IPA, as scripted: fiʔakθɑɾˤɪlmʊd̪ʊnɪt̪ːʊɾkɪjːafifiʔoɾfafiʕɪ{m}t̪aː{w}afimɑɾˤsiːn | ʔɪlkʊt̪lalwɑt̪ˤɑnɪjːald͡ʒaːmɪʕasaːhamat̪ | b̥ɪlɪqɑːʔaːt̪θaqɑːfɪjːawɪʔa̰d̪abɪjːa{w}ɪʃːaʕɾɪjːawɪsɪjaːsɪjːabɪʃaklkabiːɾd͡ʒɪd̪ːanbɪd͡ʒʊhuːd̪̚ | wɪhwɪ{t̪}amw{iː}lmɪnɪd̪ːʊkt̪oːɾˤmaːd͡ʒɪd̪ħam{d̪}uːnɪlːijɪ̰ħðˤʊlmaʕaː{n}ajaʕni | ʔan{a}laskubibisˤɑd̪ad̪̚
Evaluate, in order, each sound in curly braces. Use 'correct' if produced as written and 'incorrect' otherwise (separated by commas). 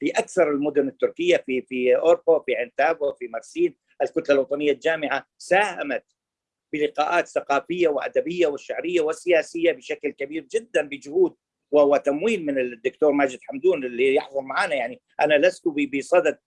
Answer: incorrect, incorrect, correct, correct, correct, correct, correct, correct